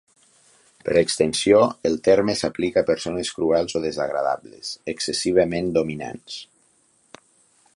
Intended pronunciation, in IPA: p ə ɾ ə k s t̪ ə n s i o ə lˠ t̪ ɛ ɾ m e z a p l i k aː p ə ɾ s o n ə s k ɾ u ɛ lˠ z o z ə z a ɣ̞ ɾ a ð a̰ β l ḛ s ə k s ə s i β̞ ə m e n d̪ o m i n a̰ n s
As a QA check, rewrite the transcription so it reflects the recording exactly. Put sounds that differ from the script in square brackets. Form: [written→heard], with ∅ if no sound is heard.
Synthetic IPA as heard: p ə ɾ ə k s t̪ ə n s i o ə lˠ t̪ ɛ ɾ m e [z→s] a p l i k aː p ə ɾ s o n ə s k ɾ u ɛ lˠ z o [z→ð] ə z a ɣ̞ ɾ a ð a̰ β l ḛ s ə k s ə s i β̞ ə m e n d̪ o m i n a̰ n s